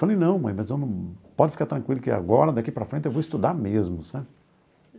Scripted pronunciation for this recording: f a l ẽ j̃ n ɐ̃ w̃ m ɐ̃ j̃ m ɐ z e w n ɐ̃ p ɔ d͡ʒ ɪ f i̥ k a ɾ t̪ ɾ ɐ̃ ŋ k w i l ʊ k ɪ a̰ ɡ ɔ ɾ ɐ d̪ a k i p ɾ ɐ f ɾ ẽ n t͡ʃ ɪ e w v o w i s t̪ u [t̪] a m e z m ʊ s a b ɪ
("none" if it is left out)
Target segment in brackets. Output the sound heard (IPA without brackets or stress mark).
d̪